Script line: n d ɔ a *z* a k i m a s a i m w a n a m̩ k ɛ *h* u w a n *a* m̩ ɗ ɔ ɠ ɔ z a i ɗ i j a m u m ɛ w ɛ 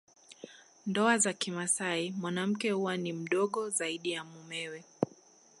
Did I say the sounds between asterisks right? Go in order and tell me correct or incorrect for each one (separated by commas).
correct, correct, incorrect